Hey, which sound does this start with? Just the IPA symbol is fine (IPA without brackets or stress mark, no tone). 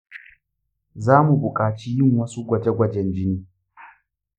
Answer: z